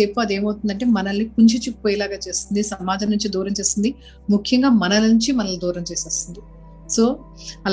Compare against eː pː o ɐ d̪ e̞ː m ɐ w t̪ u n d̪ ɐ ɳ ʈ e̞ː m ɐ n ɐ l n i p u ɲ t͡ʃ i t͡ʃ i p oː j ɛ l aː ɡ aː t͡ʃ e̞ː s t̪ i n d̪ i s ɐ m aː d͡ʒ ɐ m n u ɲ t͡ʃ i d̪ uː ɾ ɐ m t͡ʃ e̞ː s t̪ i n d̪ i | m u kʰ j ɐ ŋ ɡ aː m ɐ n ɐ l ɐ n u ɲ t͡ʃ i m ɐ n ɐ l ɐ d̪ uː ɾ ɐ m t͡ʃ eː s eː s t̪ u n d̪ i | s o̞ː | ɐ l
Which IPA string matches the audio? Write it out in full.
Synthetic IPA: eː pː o ɐ d̪ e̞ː m ɐ w t̪ u n d̪ ɐ ɳ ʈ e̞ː m ɐ n ɐ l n i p u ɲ t͡ʃ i t͡ʃ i p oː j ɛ l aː ɡ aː t͡ʃ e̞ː s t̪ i n d̪ i s ɐ m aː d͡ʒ ɐ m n u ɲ t͡ʃ i d̪ uː ɾ ɐ m t͡ʃ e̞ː s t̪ i n d̪ i | m u kʰ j ɐ ŋ ɡ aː m ɐ n ɐ l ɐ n u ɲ t͡ʃ i m ɐ n ɐ l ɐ d̪ uː ɾ ɐ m t͡ʃ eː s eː s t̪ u n d̪ i | s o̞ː | ɐ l